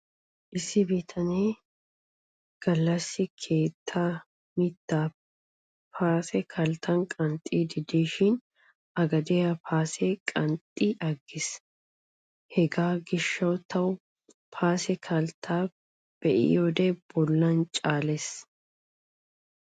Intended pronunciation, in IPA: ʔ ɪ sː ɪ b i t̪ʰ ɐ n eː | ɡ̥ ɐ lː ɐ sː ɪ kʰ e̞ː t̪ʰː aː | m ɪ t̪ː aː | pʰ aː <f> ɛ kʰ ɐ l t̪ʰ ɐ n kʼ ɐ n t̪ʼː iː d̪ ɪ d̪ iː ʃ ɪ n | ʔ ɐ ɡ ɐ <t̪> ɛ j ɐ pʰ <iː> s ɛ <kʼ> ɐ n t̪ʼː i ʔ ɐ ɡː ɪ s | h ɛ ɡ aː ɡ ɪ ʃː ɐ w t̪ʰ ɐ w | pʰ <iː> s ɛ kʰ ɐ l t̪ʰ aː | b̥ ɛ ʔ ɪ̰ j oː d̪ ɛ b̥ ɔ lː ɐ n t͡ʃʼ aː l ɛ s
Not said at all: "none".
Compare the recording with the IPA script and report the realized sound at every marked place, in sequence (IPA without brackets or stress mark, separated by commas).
s, d̪, aː, kʼ, aː